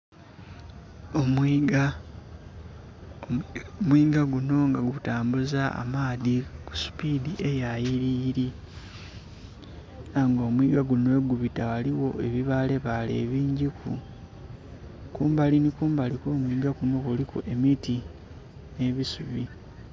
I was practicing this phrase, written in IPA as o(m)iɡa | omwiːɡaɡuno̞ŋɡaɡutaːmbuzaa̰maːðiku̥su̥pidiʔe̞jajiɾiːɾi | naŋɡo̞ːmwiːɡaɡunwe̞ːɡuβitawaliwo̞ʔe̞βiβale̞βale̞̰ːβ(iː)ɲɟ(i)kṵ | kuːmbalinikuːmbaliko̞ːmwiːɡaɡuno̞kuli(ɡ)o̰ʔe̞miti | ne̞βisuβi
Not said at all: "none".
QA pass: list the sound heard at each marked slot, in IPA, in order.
m, iː, i, k

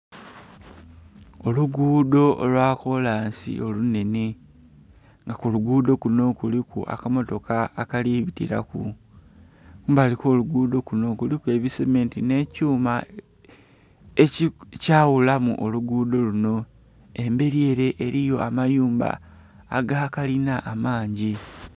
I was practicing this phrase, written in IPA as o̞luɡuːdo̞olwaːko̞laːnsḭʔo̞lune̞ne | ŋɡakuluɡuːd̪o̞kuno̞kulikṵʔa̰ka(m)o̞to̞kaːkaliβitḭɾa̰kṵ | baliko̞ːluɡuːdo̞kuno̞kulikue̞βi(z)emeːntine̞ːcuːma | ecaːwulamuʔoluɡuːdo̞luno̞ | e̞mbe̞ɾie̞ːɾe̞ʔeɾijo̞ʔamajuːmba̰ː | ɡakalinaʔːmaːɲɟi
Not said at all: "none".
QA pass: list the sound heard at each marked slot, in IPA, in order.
m, s

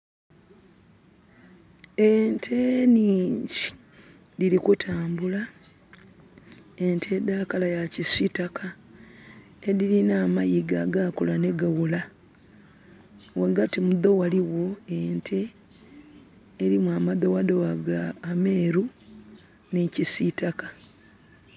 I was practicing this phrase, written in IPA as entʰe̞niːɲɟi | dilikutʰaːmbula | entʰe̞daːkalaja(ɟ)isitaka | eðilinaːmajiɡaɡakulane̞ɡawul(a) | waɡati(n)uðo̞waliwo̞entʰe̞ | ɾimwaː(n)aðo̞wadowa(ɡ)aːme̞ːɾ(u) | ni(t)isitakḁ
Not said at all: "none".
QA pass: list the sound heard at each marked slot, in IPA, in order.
c, a, m, m, ɡ, u, c

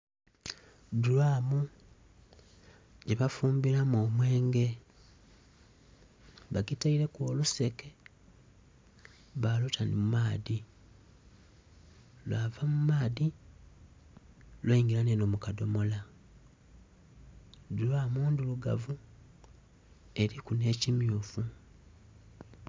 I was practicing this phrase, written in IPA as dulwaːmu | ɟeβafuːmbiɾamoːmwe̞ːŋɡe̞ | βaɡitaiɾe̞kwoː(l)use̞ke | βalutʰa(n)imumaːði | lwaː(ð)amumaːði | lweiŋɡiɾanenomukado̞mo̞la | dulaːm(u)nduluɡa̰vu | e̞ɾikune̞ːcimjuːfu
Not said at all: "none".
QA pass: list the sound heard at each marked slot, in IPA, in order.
l, n, v, uː

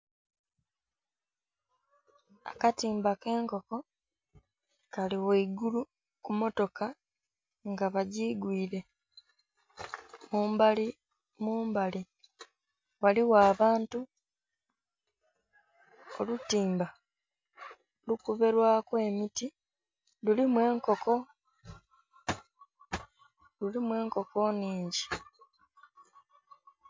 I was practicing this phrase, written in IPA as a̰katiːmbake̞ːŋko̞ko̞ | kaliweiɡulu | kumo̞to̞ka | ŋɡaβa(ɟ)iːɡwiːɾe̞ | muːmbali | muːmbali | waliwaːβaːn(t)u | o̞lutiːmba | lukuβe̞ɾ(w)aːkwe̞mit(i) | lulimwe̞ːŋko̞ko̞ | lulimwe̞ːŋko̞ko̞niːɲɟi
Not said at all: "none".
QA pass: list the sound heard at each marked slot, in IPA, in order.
ɟ, t, w, i

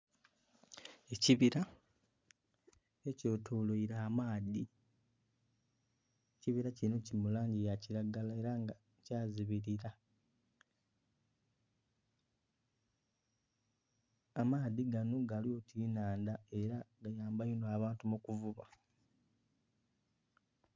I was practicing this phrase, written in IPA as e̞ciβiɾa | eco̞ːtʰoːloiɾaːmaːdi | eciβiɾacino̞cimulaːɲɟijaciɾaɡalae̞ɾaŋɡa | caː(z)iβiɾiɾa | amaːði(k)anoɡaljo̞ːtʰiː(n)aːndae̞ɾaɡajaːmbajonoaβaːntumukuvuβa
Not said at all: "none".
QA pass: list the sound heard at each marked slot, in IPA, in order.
z, ɡ, n

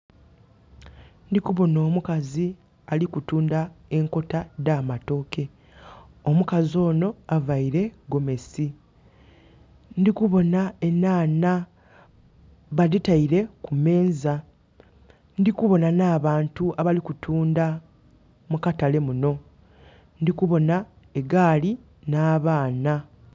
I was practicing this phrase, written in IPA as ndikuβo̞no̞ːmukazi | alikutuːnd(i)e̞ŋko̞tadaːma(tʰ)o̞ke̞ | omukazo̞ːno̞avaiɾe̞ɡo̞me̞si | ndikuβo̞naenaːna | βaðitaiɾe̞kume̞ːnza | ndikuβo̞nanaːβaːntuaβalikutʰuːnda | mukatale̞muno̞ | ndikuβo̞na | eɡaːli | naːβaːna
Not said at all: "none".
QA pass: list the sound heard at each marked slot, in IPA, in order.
a, t

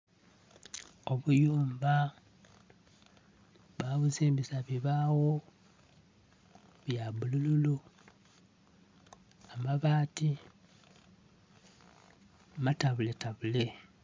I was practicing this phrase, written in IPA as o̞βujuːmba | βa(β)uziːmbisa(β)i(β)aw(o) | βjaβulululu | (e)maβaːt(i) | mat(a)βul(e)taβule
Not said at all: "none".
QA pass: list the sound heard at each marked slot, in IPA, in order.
β, β, β, o, a, i, a, e

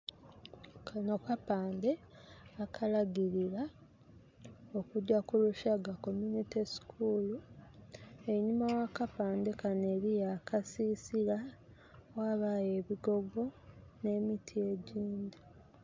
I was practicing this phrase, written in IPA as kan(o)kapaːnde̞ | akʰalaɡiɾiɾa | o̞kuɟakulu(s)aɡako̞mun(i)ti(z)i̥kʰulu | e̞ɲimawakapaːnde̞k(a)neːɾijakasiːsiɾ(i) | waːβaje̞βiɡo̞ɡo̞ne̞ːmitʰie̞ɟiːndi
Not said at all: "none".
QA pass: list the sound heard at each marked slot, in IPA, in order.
o, ʃ, i, s, a, a

